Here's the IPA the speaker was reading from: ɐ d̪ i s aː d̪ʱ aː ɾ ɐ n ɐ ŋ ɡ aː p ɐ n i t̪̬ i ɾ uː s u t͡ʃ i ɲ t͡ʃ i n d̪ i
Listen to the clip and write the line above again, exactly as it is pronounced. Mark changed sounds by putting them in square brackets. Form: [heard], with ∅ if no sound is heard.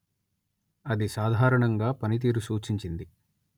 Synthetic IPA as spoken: ɐ d̪ i s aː d̪ʱ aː ɾ ɐ [ɳ] ɐ ŋ ɡ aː p ɐ n i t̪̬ [iː] ɾ [u] s [uː] t͡ʃ i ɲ t͡ʃ i n d̪ i